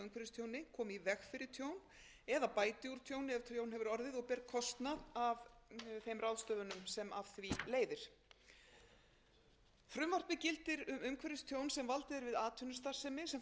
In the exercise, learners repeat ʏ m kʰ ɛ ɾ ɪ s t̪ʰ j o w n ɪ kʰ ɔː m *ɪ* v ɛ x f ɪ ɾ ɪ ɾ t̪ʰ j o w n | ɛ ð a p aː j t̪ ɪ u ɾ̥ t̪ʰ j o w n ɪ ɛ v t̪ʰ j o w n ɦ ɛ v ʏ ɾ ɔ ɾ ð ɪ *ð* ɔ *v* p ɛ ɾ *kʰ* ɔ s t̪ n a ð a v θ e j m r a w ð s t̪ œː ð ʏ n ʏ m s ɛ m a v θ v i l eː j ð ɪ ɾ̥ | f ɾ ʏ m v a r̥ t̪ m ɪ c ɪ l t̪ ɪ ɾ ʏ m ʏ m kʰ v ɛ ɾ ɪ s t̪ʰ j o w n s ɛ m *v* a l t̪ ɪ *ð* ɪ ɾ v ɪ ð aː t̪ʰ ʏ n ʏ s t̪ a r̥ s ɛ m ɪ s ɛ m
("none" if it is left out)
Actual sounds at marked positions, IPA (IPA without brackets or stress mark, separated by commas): i, ð, ɣ, kʰ, v, ð